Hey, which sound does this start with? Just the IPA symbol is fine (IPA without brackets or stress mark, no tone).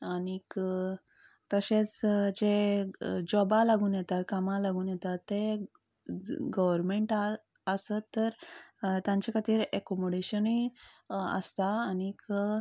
a